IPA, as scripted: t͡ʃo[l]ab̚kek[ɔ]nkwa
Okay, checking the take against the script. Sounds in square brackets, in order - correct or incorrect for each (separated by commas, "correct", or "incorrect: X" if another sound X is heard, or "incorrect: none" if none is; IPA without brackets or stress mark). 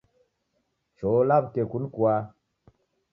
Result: correct, incorrect: u